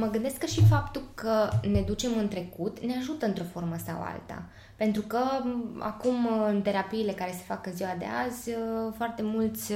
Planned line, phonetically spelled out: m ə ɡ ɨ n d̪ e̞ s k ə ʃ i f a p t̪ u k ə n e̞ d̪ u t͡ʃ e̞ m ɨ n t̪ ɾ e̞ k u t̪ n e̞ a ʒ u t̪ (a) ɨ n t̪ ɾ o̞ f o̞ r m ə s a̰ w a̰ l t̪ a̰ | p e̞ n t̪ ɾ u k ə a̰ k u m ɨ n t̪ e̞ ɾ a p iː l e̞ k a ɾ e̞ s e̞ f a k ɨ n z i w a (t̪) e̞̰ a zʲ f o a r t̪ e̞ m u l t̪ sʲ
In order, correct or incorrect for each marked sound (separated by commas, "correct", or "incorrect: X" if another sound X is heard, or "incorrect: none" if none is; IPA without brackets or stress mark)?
incorrect: ə, incorrect: d̪